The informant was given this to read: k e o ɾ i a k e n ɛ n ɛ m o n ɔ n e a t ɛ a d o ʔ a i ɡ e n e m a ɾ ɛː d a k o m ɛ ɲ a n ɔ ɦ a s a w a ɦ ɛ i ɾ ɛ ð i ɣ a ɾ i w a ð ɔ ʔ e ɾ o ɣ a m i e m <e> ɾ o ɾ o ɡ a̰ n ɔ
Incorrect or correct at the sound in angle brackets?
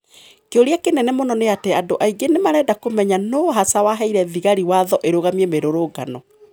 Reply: correct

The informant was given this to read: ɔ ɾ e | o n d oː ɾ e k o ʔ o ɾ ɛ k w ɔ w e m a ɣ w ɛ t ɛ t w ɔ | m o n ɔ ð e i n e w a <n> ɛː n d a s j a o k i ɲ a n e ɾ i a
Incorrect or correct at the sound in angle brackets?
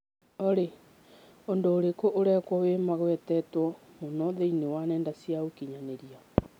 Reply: correct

